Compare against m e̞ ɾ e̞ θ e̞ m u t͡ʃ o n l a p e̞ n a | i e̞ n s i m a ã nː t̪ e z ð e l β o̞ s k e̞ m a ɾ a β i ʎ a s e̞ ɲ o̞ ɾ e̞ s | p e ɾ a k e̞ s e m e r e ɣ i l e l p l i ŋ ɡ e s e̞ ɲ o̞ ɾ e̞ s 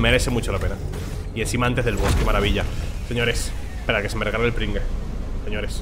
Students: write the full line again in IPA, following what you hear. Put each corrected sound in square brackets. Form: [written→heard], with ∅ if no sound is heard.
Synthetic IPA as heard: m e̞ ɾ e̞ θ e̞ m u t͡ʃ o [n→∅] l a p e̞ n a | i e̞ n s i m a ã [nː→n] t̪ e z ð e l β o̞ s k e̞ m a ɾ a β i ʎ a s e̞ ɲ o̞ ɾ e̞ s | p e ɾ a k e̞ s e m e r e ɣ [i→a] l e l p [l→ɾ] i ŋ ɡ e s e̞ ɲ o̞ ɾ e̞ s